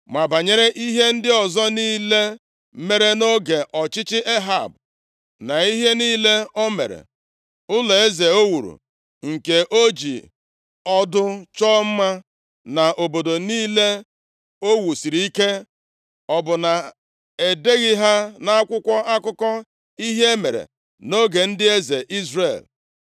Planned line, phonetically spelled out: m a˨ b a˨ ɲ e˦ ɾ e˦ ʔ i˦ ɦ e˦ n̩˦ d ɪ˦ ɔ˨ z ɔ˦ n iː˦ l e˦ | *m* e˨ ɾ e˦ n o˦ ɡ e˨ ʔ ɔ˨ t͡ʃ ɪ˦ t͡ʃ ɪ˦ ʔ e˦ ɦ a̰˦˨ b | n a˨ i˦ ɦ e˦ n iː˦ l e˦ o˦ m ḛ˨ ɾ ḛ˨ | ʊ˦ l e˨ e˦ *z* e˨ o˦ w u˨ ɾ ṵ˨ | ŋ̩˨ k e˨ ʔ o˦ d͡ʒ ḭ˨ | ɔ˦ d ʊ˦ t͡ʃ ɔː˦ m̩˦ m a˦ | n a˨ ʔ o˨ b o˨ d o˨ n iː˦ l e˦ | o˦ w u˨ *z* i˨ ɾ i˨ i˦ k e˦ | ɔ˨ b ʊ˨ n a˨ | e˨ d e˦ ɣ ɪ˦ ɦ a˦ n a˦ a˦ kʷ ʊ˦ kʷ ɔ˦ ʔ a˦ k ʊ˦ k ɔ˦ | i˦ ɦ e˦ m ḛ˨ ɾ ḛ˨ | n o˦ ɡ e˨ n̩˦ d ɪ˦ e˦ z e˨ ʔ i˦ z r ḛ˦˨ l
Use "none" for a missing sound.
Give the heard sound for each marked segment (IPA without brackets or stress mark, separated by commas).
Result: m, z, s